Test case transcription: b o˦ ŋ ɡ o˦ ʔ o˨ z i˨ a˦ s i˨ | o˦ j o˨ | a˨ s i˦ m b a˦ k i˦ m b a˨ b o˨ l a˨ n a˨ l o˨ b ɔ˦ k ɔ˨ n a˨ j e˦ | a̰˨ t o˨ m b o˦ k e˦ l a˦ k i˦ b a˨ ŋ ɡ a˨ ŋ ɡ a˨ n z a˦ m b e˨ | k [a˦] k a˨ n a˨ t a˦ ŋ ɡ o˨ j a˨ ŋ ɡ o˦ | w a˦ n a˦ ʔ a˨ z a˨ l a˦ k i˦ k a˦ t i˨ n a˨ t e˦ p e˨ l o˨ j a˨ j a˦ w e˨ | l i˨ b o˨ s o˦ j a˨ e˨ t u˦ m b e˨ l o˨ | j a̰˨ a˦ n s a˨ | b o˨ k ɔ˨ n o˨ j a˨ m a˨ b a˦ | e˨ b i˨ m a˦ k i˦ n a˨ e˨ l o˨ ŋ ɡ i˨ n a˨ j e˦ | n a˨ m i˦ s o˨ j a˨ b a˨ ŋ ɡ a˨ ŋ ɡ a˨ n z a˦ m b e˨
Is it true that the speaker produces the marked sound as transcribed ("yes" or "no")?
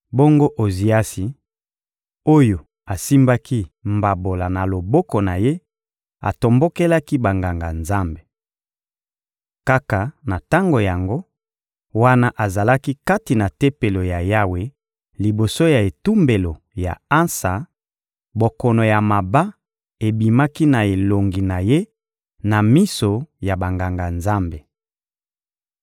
yes